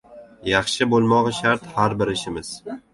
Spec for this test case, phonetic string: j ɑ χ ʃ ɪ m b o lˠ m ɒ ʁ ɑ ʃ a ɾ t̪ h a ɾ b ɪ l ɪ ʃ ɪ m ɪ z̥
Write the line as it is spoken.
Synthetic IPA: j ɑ χ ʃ ɪ b o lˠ m ɒ ʁ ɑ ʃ a ɾ t̪ h a ɾ b ɪ ɾ ɪ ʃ ɪ m ɪ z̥